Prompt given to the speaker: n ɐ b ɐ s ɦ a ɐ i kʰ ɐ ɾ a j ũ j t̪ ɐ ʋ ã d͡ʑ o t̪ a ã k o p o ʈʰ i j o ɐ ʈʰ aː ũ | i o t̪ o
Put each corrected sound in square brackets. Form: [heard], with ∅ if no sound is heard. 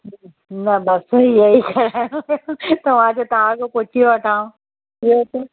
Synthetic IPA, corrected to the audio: n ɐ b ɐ s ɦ [i] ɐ i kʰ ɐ ɾ a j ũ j t̪ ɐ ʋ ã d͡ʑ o t̪ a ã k o p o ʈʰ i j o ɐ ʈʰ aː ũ | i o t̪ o